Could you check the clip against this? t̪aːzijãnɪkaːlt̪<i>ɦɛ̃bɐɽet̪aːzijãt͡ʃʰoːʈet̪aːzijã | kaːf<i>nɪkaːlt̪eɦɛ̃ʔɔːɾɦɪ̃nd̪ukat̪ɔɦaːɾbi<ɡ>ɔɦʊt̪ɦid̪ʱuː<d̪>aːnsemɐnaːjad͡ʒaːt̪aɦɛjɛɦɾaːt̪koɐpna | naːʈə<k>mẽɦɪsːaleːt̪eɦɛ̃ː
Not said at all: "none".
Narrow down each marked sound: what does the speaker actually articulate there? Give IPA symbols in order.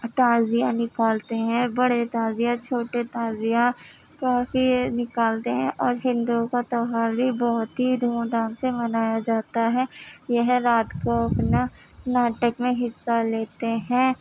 e, i, b, d̪, k

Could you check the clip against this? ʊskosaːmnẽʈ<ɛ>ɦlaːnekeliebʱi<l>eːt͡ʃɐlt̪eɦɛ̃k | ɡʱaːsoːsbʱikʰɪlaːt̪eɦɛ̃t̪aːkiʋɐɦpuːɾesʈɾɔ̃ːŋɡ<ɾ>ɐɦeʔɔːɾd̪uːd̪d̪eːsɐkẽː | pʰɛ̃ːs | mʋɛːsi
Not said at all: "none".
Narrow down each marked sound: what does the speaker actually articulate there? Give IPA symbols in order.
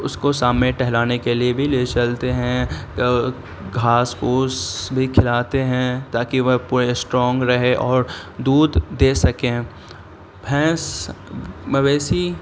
ɛ, l, ɾ

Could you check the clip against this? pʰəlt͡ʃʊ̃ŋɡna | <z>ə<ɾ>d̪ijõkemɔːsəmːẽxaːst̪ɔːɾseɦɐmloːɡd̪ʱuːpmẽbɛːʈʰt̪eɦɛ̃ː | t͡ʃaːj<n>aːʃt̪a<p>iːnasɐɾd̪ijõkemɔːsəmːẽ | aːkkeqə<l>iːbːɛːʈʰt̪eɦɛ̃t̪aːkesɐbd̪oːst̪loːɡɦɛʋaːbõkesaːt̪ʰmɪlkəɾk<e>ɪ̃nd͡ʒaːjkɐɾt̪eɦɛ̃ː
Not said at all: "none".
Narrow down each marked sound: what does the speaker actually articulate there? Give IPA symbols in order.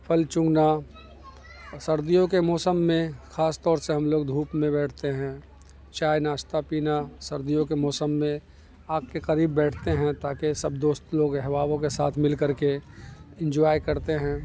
s, ɾ, n, p, ɾ, e

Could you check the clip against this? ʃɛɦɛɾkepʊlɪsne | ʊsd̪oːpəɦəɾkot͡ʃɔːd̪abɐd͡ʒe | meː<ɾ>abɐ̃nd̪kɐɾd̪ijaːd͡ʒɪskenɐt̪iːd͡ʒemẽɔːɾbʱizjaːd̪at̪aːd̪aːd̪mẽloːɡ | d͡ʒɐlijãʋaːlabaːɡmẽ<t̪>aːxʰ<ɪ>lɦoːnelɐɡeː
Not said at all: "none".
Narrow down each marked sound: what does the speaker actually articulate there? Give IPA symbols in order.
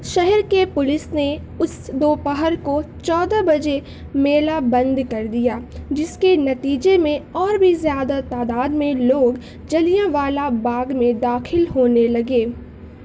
l, d̪, ɪ

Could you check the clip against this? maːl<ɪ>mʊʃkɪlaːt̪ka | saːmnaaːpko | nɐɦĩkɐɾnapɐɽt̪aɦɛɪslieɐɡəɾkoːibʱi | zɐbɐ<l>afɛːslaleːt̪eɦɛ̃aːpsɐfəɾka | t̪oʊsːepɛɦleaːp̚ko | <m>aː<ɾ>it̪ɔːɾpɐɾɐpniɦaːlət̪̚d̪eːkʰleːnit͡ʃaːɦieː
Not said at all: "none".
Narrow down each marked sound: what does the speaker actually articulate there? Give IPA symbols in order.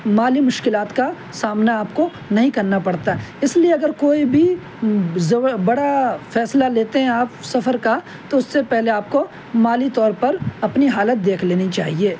i, ɽ, m, l

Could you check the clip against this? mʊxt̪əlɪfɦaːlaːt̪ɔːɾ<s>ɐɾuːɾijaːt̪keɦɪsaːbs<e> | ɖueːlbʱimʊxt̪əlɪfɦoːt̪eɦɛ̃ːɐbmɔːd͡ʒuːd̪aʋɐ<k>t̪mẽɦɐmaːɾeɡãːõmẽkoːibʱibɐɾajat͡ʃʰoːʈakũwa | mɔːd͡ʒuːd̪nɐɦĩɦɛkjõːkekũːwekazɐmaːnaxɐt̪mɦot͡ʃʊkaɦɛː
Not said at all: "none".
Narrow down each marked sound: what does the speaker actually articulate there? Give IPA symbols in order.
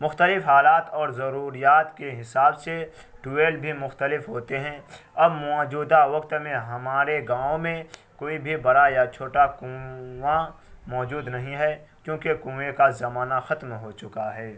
z, e, k

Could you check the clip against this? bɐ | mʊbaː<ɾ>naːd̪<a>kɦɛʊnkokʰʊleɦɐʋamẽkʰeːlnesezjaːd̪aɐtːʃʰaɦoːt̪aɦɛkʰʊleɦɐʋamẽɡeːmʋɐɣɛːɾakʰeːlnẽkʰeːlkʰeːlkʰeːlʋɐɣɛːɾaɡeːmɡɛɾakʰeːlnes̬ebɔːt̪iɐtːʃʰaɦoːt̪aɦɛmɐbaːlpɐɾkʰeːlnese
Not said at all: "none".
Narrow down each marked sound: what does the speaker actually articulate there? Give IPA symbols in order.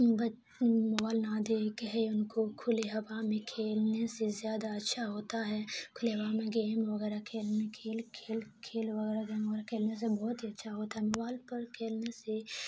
l, e

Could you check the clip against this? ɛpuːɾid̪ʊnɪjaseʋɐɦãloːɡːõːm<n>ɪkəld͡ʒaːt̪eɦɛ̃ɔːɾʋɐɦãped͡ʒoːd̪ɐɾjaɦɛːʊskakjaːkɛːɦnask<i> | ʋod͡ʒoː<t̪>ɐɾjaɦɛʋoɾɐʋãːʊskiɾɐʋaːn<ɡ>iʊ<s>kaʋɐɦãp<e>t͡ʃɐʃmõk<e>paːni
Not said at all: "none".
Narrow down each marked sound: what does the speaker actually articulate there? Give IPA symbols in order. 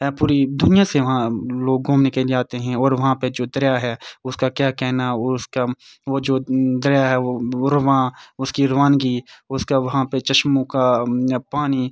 n, a, d̪, ɡ, s, e, a

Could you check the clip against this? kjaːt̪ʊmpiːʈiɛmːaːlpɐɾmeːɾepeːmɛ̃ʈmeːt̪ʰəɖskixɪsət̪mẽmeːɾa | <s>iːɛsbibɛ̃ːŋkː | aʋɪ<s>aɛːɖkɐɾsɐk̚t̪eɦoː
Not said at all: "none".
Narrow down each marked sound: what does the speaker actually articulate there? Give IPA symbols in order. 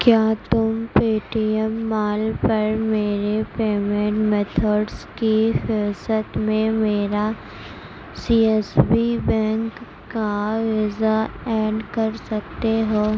s, z

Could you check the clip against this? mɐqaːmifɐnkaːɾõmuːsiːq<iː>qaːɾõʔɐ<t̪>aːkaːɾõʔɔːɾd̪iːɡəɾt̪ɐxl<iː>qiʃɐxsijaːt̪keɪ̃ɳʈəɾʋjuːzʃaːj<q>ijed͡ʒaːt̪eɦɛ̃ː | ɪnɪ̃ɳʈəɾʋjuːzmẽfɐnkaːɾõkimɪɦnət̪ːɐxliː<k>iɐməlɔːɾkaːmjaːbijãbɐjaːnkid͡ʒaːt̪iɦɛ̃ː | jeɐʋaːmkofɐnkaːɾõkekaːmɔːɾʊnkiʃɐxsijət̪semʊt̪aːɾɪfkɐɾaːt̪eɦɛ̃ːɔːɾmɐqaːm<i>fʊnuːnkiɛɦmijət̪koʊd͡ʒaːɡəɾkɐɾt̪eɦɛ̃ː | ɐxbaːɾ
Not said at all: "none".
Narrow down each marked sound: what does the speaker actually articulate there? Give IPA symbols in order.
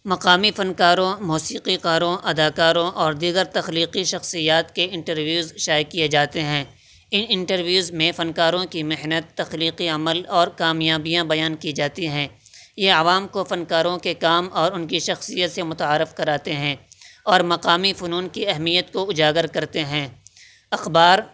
i, d̪, iː, k, q, i

